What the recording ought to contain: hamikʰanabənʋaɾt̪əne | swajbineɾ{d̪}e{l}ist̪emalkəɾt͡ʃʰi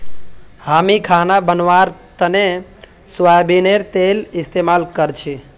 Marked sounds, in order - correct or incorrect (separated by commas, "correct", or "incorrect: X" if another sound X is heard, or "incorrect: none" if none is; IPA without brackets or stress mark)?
incorrect: t̪, correct